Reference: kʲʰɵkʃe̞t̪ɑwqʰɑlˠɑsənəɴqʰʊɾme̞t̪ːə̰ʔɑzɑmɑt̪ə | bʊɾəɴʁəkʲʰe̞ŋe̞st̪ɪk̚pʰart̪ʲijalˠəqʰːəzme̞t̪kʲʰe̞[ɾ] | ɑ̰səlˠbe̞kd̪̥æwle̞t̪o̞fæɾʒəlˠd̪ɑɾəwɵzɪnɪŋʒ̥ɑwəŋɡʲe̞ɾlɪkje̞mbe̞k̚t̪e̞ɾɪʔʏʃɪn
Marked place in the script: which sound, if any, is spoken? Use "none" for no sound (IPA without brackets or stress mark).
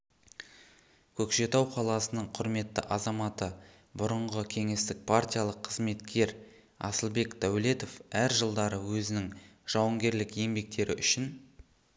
ɾ